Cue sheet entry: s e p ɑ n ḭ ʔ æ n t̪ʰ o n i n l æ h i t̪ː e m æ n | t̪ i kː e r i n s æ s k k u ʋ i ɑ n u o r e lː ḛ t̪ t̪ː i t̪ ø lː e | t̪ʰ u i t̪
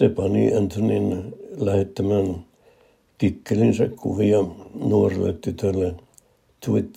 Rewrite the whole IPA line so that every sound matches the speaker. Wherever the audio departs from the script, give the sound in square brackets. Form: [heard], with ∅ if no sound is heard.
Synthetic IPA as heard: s e p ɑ n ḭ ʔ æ n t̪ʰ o n i n l æ h [e] t̪ː [æ] m æ n | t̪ i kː e [l] i n s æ [∅] k k u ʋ i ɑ n u o r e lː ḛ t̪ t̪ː [y] t̪ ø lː e | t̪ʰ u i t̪